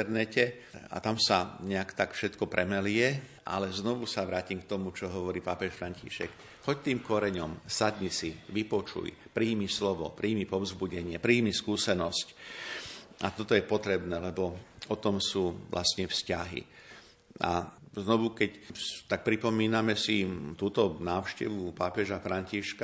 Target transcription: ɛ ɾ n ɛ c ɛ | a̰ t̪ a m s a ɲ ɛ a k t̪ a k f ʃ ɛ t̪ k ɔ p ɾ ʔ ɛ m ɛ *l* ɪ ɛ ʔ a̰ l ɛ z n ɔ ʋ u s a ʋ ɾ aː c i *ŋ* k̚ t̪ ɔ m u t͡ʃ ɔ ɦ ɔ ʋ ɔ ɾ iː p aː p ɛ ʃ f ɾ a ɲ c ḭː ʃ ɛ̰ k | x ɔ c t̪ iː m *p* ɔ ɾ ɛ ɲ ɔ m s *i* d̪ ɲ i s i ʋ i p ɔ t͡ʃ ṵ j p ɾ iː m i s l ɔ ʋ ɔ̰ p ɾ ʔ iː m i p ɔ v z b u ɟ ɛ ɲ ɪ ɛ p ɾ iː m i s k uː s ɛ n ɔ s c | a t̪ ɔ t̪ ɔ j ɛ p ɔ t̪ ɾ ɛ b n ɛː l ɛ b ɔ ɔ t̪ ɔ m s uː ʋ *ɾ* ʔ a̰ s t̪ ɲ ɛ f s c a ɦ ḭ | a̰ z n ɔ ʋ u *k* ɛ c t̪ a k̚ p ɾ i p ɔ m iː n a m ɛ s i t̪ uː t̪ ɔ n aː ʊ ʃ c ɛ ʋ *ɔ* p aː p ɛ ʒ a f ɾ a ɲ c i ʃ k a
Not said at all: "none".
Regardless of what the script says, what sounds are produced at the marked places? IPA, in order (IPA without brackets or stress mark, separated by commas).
l, m, k, a, l, k, u